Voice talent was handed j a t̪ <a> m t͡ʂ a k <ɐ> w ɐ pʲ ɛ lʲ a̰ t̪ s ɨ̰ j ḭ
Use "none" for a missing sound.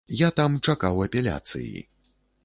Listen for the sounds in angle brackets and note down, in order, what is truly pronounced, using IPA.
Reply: a, a

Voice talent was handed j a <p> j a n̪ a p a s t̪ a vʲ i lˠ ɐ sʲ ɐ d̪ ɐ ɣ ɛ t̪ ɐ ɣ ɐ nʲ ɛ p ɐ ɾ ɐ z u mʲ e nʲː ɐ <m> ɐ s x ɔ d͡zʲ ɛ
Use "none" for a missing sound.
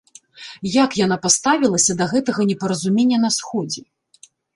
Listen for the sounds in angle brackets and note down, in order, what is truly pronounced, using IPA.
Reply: k, n

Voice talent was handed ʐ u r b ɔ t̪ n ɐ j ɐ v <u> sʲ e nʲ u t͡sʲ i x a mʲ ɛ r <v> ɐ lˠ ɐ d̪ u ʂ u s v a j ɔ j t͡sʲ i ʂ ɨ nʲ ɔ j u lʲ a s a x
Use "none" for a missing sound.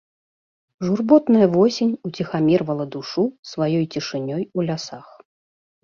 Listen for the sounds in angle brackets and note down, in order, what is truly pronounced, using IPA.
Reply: ɔ, v

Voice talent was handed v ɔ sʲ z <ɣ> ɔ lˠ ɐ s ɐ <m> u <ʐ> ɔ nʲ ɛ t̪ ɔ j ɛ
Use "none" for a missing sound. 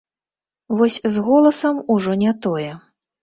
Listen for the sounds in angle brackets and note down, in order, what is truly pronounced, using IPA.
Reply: ɣ, m, ʐ

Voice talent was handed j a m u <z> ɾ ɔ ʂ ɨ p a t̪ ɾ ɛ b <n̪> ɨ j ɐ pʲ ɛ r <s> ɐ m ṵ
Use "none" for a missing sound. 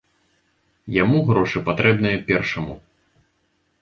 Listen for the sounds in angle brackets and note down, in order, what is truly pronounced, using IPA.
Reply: ɣ, n̪, ʂ

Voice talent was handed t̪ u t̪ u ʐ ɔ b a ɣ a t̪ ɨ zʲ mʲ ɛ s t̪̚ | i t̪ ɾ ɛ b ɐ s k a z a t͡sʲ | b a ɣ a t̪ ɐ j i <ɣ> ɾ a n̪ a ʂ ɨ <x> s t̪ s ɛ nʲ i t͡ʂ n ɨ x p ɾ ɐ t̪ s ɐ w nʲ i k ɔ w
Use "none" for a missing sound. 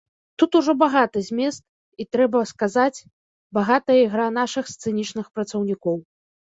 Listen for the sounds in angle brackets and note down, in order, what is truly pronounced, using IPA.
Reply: ɣ, x

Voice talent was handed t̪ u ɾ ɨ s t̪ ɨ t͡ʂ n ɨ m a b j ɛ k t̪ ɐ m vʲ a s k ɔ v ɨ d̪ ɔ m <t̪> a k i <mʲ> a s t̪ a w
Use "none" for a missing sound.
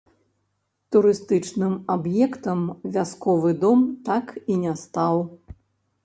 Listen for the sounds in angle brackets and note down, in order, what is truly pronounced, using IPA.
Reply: t̪, nʲ

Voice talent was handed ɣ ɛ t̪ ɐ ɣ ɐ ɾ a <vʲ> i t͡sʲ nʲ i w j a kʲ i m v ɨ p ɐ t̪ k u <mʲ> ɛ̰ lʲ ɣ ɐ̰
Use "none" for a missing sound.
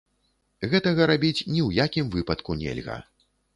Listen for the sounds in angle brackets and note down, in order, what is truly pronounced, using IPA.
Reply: bʲ, nʲ

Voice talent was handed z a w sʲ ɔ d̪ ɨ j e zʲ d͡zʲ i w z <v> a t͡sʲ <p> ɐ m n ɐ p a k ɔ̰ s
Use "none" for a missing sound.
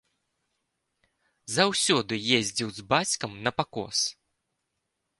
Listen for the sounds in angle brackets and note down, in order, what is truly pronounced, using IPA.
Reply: b, k

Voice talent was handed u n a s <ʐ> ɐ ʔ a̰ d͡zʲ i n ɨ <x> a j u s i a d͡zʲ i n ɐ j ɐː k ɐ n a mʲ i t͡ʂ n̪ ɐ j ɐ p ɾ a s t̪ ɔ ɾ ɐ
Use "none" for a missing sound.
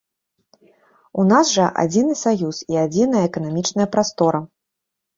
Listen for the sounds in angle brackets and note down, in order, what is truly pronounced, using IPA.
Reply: ʐ, s

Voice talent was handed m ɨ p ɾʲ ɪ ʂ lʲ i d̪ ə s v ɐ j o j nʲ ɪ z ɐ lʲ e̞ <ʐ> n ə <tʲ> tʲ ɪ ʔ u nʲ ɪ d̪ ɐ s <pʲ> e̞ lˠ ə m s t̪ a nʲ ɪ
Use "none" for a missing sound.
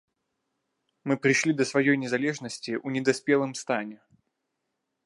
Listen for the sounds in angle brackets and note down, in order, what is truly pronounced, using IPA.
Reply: ʐ, sʲ, pʲ

